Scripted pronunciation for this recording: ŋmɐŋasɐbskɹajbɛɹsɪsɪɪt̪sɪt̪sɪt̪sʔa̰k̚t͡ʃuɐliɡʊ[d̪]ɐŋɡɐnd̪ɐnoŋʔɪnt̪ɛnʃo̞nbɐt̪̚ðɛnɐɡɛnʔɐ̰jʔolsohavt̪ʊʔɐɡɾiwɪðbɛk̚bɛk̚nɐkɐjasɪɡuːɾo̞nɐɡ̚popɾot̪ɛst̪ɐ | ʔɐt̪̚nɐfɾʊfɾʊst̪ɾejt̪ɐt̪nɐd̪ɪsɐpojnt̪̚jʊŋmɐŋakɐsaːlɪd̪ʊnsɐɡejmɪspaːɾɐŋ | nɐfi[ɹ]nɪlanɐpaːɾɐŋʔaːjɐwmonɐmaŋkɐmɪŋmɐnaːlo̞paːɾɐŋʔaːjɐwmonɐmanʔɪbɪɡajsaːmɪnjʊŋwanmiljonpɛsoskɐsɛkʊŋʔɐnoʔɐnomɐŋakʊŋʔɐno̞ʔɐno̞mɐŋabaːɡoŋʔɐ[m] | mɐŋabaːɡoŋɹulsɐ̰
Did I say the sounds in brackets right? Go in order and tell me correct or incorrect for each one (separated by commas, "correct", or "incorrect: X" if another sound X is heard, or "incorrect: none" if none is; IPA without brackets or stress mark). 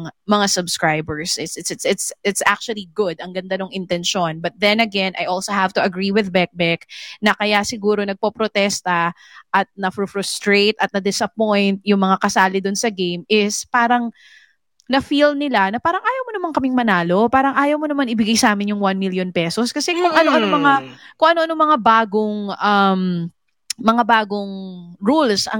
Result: correct, incorrect: l, correct